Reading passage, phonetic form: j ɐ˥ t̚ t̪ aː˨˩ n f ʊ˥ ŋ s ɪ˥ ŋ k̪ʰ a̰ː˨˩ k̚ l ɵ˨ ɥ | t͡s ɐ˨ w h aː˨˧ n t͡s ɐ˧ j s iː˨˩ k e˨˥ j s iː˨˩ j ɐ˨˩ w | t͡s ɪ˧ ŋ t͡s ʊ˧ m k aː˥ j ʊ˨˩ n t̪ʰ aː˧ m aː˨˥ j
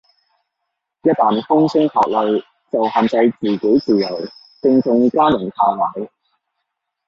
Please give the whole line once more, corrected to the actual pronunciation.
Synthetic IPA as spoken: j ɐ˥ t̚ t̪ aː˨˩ n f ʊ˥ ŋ s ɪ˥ ŋ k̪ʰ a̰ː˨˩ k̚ l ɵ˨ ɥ | t͡s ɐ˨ w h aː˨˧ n t͡s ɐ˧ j t͡s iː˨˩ k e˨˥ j t͡s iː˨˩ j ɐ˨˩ w | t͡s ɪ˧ ŋ t͡s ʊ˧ ŋ k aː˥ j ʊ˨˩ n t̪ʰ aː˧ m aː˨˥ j